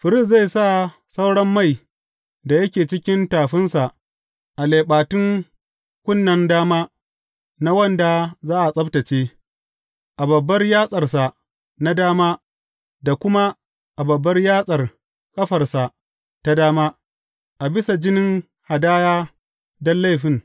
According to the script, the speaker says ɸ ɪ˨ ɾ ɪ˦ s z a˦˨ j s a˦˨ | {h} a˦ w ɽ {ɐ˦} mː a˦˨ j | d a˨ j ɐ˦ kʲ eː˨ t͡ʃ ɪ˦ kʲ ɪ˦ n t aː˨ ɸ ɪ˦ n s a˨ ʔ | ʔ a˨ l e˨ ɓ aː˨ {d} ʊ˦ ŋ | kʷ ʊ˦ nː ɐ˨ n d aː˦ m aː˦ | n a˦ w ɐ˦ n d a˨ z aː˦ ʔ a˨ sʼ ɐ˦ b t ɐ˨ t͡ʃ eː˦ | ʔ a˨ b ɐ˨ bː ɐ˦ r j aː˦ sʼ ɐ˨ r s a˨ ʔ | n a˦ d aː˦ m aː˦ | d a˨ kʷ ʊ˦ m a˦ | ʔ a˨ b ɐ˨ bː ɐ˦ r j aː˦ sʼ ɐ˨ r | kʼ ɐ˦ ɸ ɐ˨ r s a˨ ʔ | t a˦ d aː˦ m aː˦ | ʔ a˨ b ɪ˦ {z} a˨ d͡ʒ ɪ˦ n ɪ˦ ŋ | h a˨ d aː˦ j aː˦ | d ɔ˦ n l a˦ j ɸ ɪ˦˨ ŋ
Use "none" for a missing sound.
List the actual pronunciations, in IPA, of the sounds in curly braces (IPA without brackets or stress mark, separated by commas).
s, ɐ˦, t, s